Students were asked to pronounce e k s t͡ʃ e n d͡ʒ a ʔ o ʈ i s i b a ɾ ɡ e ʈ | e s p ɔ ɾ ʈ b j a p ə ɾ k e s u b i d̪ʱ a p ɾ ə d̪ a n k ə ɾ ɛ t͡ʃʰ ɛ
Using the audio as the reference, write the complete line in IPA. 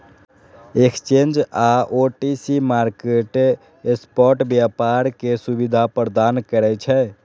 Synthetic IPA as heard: e k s t͡ʃ e n d͡ʒ a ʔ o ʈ i s i m a ɾ k e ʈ | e s p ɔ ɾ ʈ b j a p a ɾ k e s u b i d̪ʱ a p ɾ ə d̪ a n k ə ɾ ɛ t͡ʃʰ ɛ